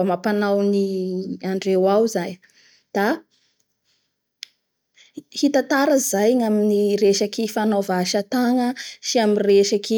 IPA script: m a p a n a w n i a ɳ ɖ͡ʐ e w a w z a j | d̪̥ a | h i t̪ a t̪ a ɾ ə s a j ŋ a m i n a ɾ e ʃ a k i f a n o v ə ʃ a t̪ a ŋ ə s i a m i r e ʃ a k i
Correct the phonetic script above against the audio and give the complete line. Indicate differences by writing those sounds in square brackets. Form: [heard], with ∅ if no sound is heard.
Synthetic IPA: m a p a n a w n i a ɳ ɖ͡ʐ e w a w z a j | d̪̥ a | h i t̪ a t̪ a ɾ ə [z] a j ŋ a m i n [i] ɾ e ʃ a k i f a n o v [a] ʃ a t̪ a ŋ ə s i a m i r e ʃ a k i